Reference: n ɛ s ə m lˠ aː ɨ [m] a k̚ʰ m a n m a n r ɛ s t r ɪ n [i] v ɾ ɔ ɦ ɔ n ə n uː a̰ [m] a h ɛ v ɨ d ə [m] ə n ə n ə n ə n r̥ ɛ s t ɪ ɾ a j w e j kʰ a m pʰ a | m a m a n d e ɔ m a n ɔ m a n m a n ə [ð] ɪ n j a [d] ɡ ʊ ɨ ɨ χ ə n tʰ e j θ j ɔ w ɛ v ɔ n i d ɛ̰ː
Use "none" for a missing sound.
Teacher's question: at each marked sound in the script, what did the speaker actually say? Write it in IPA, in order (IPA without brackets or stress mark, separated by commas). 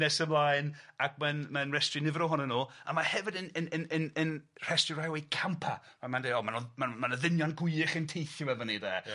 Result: n, ɪ, m, n, ð, n